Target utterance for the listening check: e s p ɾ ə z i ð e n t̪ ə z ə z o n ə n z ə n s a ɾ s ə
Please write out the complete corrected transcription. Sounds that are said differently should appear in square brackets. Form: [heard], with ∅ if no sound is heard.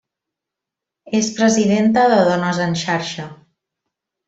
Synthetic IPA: e s p ɾ ə z i ð e n t̪ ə [ð] ə [ð] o n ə [∅] z ə n [ʃ] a ɾ [ʃ] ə